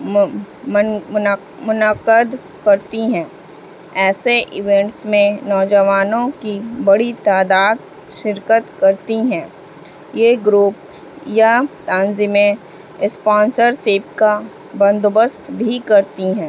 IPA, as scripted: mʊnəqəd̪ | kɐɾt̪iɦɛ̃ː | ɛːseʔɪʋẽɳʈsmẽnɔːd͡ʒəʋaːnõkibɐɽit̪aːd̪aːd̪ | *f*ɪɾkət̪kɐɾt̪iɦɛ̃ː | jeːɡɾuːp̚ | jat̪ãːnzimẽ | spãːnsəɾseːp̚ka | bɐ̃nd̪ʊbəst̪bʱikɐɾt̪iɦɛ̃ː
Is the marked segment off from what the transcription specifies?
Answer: yes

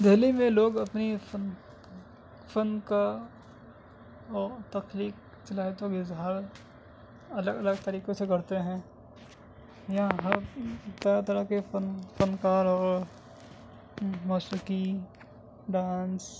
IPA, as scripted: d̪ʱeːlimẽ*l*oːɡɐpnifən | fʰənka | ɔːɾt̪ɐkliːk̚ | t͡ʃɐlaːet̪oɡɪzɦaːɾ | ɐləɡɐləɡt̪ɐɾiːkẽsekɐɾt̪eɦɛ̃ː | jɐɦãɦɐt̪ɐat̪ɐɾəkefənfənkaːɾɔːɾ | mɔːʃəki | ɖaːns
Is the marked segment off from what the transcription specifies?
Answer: no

